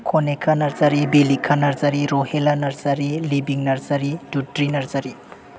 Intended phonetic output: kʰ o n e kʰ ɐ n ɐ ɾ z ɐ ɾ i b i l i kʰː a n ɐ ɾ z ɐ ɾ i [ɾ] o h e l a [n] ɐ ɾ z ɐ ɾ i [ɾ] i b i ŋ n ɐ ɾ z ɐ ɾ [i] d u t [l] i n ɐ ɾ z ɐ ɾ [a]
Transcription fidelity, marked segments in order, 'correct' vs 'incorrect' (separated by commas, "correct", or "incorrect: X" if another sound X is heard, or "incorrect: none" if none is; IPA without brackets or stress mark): correct, correct, incorrect: l, correct, incorrect: ɾ, incorrect: i